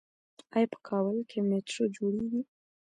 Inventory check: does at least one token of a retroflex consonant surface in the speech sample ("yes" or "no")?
yes